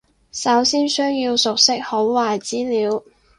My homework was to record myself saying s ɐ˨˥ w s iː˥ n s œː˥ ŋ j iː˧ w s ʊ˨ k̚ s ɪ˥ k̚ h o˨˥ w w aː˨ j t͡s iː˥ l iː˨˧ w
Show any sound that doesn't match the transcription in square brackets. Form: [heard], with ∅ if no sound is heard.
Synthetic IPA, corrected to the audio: s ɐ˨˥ w s iː˥ n s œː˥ ŋ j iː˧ w s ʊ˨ k̚ s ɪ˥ k̚ h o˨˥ w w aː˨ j t͡s iː˥ l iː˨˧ w